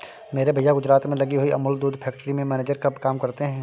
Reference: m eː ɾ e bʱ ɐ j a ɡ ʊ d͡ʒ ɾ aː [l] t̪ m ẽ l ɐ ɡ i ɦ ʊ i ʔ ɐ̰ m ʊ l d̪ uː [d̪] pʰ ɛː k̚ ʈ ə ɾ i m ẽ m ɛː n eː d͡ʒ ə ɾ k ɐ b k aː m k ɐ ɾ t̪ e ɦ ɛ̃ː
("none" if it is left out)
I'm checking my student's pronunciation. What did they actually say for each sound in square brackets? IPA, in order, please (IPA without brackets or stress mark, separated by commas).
none, d̪